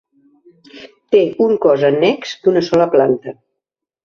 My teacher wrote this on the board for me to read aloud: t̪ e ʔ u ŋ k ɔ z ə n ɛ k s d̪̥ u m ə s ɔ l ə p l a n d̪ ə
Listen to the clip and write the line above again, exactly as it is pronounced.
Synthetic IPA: t̪ e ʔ u ŋ k ɔ z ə n ɛ k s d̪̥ u n ə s ɔ l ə p l a n t̪ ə